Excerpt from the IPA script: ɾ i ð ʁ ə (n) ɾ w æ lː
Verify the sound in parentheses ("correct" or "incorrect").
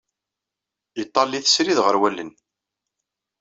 incorrect